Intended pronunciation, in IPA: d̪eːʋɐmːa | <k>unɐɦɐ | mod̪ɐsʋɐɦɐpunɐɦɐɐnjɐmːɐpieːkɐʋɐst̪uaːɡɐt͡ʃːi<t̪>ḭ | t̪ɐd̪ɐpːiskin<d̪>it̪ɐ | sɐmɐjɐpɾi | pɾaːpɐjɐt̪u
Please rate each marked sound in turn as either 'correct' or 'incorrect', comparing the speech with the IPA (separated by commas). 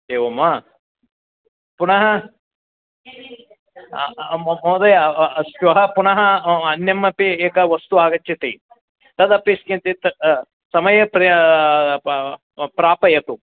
incorrect, correct, incorrect